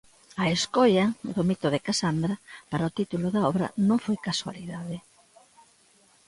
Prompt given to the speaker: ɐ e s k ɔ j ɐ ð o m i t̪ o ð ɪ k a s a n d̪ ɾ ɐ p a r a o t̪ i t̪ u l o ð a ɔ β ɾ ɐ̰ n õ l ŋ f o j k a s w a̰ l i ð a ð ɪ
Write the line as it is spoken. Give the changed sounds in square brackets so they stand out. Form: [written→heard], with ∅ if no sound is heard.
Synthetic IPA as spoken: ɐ e s k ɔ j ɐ ð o m i t̪ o ð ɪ k a s a n d̪ ɾ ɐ p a [r→ɾ] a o t̪ i t̪ u l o ð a ɔ β ɾ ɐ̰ n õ [l→∅] ŋ f o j k a s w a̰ l i ð a ð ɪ